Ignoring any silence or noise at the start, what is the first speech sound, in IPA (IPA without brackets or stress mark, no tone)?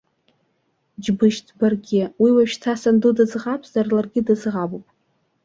d͡ʒ